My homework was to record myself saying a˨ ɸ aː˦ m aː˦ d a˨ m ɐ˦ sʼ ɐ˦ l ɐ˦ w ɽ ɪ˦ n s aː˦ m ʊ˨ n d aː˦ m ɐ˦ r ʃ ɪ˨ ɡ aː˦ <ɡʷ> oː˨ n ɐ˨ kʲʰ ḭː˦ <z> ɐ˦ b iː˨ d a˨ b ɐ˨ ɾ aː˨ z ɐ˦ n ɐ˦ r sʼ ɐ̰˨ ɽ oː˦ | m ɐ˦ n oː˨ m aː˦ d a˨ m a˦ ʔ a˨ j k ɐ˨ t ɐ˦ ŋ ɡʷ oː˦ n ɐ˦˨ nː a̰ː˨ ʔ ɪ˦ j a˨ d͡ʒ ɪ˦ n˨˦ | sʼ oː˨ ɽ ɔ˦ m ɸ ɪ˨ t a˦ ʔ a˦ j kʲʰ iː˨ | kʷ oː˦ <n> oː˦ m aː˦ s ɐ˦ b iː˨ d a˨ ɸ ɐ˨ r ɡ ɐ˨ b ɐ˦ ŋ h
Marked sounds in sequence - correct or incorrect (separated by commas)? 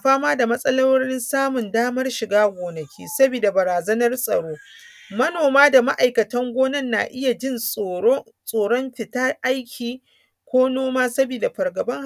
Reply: correct, incorrect, correct